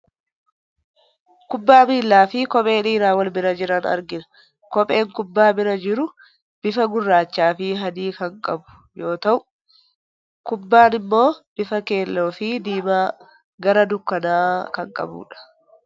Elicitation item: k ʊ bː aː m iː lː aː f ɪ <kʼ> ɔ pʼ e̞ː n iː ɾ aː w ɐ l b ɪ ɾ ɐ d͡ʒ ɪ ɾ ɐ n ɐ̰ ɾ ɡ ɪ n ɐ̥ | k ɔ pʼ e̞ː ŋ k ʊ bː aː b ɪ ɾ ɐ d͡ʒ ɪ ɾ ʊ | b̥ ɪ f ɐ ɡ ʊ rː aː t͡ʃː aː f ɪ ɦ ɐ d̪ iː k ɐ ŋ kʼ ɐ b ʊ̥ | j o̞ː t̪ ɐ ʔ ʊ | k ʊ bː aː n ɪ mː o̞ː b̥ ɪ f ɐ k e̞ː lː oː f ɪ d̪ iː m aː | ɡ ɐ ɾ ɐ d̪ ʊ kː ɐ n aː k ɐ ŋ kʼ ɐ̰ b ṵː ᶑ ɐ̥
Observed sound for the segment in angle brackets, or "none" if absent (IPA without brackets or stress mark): k